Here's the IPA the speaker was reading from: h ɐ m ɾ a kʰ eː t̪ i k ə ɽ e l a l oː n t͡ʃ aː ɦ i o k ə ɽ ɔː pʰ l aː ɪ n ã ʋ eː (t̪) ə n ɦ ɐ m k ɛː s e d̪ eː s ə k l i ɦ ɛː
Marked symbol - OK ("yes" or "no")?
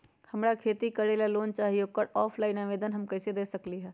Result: no